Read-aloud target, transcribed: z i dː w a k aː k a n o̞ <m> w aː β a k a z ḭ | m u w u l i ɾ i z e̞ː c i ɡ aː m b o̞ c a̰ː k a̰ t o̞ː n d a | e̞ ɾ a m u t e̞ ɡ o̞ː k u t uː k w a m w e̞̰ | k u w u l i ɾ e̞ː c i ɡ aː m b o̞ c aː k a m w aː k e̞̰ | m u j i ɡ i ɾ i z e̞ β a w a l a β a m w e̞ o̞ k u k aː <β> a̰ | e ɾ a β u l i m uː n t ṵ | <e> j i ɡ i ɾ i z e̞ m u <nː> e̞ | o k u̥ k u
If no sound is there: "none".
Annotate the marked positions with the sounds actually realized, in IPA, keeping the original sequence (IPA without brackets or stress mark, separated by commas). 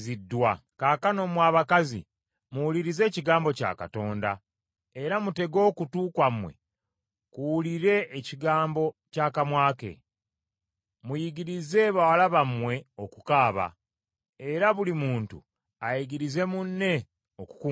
m, β, a, nː